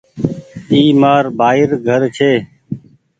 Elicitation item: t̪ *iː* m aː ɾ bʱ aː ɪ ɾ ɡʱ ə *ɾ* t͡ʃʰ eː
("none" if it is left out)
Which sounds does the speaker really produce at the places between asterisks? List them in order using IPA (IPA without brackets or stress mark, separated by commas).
iː, ɾ